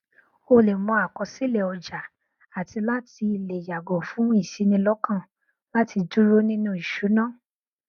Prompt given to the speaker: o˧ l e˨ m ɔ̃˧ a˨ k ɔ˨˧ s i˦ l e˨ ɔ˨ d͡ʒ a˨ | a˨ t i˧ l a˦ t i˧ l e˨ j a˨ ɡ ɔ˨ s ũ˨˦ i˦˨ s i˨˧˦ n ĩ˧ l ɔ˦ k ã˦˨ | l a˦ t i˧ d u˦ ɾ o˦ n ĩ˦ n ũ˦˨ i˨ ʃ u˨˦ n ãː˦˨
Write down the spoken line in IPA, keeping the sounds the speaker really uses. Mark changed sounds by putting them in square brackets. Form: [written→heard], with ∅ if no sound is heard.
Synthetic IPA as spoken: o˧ l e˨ m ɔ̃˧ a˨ k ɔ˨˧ s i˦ l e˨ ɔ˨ d͡ʒ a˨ | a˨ t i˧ l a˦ t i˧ l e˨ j a˨ ɡ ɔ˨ [s→f] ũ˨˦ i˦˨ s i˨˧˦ n ĩ˧ l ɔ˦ k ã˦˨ | l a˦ t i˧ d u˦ ɾ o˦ n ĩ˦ n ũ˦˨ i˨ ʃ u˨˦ n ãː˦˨

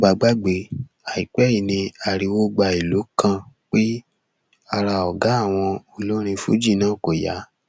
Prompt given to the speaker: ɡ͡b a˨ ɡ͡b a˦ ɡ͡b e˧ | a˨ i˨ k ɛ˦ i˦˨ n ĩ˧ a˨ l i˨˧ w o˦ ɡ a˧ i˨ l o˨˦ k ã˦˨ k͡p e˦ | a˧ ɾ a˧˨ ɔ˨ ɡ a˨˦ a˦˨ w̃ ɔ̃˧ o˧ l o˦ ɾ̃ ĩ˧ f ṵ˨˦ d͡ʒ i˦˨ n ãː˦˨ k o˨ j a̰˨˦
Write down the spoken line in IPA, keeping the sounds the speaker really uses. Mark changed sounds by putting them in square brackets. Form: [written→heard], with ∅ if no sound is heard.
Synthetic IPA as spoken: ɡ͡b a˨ ɡ͡b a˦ ɡ͡b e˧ | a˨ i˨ [k→k͡p] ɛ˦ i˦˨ n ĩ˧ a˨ [l→ɾ] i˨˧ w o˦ [ɡ→ɡ͡b] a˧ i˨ l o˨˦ k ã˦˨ k͡p e˦ | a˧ ɾ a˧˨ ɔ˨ ɡ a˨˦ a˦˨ w̃ ɔ̃˧ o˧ l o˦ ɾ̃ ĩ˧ f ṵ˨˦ d͡ʒ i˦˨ n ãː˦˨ k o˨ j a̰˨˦

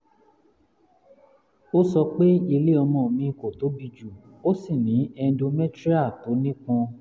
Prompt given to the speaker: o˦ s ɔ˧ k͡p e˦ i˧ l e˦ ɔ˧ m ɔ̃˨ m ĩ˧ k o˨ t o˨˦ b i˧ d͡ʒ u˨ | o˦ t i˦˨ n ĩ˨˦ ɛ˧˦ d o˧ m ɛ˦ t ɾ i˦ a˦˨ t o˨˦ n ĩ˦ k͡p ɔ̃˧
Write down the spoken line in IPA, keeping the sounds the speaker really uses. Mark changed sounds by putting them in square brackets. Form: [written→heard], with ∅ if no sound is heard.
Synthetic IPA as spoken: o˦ s ɔ˧ k͡p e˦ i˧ l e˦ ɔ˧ m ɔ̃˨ m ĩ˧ k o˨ t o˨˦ b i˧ d͡ʒ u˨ | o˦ [t→s] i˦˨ n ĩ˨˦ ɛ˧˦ d o˧ m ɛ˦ t ɾ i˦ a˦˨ t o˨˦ n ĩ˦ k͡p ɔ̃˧

